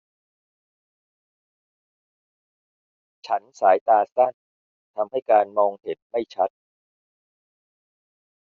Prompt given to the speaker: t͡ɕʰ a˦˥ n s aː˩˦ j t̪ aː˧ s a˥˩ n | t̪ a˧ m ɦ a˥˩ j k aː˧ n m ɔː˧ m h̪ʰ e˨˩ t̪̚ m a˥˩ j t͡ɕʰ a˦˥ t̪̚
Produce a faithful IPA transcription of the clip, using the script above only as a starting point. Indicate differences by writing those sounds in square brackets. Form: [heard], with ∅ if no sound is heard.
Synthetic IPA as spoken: t͡ɕʰ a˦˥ n s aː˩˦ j t̪ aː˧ s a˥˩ n | [t̪ʰ] a˧ m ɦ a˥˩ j k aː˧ n m ɔː˧ [ŋ] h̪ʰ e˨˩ t̪̚ m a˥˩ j t͡ɕʰ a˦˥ t̪̚

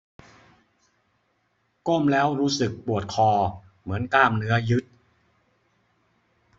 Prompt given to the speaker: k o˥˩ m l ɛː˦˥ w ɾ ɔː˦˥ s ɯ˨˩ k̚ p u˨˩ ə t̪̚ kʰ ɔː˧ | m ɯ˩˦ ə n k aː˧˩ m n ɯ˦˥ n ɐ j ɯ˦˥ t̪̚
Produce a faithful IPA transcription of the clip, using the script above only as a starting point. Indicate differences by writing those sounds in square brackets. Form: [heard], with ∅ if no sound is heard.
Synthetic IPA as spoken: k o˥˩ m l ɛː˦˥ w ɾ [uː˦˥] s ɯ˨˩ k̚ p u˨˩ ə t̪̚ kʰ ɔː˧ | m ɯ˩˦ ə n k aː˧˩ m n ɯ˦˥ [∅] ɐ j ɯ˦˥ t̪̚

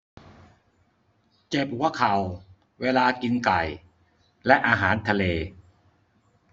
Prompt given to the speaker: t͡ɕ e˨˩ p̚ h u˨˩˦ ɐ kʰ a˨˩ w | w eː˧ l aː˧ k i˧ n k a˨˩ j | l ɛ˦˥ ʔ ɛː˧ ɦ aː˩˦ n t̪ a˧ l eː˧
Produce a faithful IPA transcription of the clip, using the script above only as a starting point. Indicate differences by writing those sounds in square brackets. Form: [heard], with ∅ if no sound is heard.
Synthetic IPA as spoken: t͡ɕ e˨˩ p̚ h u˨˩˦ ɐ kʰ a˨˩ w | w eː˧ l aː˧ k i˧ n k a˨˩ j | l ɛ˦˥ ʔ [aː˧] ɦ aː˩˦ n [t̪ʰ] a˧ l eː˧

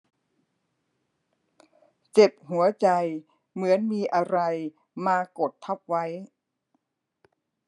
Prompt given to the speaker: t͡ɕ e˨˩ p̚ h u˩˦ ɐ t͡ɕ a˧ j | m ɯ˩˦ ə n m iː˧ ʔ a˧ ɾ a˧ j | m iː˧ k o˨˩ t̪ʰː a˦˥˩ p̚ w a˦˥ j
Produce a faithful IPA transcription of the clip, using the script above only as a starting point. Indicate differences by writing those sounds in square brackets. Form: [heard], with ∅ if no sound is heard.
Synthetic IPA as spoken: t͡ɕ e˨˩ p̚ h u˩˦ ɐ t͡ɕ a˧ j | m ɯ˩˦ ə n m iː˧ ʔ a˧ ɾ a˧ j | m [aː˧] k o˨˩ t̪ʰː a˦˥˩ p̚ w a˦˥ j

